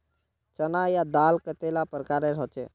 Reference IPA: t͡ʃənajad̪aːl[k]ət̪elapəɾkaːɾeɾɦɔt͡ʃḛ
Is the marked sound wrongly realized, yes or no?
no